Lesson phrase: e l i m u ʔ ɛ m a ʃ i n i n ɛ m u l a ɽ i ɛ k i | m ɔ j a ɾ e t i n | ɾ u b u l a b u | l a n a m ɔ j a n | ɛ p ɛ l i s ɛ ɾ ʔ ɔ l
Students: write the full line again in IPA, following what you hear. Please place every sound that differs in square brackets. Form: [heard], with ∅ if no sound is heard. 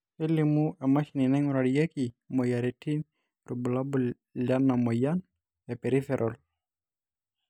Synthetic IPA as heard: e l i m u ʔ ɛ m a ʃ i n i n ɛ [ŋ] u [ɾ] a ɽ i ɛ k i | m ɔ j a ɾ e t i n | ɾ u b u l a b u | l a n a m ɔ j a n | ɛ p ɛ [ɾ] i [f] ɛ ɾ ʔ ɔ l